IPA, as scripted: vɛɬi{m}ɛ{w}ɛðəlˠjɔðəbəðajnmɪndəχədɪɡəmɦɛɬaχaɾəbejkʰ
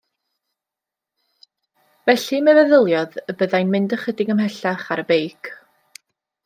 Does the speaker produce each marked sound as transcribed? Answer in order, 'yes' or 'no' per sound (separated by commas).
yes, no